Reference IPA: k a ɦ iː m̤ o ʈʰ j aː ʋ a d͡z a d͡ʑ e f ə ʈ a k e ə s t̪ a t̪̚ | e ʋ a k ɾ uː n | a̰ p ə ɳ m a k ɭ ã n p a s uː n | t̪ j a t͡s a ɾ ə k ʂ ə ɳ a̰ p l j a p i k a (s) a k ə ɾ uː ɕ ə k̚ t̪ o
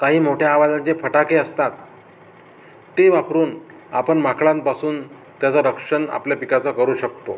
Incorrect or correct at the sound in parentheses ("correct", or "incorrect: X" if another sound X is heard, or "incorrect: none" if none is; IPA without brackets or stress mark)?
incorrect: t͡s